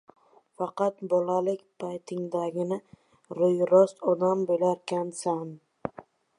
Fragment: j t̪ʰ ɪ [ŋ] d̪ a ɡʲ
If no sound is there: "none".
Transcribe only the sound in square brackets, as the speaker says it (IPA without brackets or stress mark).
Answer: ŋ